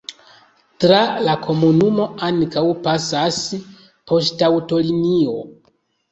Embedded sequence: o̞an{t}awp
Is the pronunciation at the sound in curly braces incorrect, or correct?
incorrect